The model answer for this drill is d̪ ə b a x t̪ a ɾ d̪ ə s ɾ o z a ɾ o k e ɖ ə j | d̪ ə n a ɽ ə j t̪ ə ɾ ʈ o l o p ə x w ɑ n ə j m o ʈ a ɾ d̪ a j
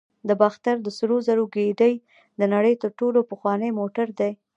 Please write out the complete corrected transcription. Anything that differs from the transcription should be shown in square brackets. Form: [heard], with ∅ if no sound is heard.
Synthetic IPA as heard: d̪ ə b a x t̪ a ɾ d̪ ə s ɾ o z a ɾ o [ɡ] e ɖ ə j | d̪ ə n a ɽ ə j t̪ ə ɾ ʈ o l o p ə x w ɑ n ə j m o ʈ a ɾ d̪ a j